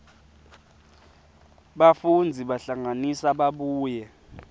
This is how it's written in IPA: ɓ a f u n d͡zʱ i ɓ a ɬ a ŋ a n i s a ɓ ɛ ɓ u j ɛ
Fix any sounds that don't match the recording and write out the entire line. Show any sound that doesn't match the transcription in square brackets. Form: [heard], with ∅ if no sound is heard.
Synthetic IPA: ɓ a f u n d͡zʱ i ɓ a ɬ a ŋ a n i s a ɓ [a] ɓ [uː] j ɛ